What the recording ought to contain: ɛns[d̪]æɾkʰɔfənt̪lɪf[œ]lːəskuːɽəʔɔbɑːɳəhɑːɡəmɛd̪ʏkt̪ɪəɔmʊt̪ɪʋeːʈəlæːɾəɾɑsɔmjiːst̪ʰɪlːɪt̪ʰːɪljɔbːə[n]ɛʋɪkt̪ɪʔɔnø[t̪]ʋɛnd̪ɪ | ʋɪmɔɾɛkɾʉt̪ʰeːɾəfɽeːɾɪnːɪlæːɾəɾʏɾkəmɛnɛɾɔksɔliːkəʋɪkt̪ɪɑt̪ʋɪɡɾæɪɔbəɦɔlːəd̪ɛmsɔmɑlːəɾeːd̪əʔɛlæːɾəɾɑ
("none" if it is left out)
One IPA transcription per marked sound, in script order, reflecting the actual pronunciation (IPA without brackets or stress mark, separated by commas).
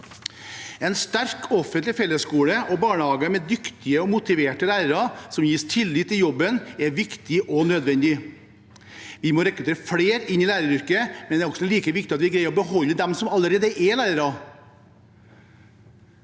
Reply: t̪, ɛ, n, d̪